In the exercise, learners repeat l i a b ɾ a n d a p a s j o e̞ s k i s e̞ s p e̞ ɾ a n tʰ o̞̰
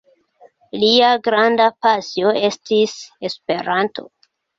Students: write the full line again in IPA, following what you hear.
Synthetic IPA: l i a ɡ ɾ a n d a p a s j o e̞ s t i s e̞ s p e̞ ɾ a n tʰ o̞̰